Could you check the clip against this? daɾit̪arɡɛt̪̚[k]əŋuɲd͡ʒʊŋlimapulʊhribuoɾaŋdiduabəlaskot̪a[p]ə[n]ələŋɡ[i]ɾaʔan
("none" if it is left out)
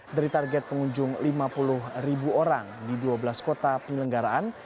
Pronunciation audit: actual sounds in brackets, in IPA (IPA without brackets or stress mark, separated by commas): p, p, ɲ, a